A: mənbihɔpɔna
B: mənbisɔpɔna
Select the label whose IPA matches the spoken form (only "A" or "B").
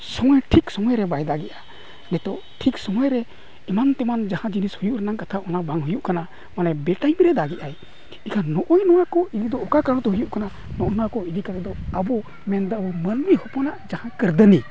A